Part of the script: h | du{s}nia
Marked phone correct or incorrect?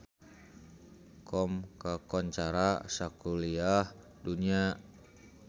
incorrect